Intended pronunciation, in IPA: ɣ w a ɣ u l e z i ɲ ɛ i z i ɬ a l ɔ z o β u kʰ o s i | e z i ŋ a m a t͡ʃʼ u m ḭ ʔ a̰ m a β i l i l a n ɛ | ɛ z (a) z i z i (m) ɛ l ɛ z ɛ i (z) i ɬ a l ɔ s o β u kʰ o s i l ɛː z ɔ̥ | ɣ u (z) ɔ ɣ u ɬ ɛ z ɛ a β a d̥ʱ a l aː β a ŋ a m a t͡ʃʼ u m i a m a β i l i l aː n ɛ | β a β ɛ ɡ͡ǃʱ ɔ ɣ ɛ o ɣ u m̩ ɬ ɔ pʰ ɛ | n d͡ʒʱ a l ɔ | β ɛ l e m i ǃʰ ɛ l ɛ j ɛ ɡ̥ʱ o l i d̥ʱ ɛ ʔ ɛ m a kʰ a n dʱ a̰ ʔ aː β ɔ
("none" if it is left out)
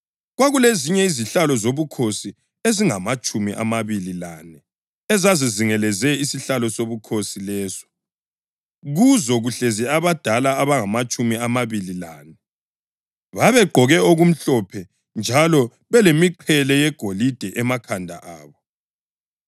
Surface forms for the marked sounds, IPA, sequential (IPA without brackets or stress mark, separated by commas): a, ŋ, s, z